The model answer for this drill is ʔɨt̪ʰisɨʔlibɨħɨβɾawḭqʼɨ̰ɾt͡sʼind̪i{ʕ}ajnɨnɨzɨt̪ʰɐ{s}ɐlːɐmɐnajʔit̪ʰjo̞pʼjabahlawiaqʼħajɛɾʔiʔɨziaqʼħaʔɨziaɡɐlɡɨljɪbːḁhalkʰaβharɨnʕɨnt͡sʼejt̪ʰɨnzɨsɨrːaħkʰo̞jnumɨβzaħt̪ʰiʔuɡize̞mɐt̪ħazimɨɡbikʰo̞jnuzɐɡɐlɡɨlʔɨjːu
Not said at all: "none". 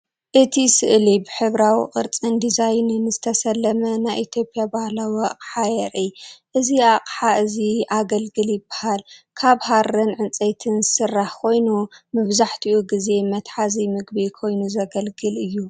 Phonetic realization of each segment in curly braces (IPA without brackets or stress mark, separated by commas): z, s